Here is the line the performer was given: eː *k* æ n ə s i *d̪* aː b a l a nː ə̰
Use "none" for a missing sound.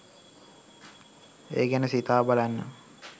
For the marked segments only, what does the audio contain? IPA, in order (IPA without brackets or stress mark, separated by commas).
ɡ, t̪